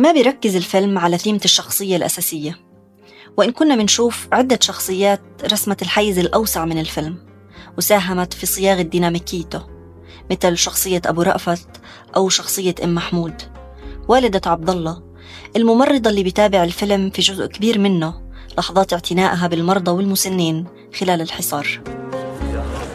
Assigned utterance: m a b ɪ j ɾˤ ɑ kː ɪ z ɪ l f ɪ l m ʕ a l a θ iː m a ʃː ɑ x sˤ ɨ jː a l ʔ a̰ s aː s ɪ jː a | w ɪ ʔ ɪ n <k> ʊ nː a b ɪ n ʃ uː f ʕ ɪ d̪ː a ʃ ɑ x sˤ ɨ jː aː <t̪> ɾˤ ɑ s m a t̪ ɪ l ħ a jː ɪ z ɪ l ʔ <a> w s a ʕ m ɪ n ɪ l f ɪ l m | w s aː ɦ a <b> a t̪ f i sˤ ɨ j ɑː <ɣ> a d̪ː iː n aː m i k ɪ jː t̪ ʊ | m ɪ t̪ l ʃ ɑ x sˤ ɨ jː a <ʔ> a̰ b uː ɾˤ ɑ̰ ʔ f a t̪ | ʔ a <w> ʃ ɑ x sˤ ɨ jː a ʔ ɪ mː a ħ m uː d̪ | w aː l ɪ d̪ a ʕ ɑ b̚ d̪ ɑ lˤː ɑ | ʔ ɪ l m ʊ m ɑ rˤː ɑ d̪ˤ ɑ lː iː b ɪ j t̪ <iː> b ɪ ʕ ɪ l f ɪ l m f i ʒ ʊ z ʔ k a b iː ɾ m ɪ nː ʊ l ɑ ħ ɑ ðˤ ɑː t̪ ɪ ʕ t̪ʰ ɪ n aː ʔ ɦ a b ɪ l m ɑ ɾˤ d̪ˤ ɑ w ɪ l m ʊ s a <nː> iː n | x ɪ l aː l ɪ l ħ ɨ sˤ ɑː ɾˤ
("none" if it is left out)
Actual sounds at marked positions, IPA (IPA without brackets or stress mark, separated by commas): k, t̪, a, m, ɣ, ʔ, w, aː, nː